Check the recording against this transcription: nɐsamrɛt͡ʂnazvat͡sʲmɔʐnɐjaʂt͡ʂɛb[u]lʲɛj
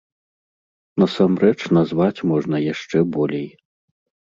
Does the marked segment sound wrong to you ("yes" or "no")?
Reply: yes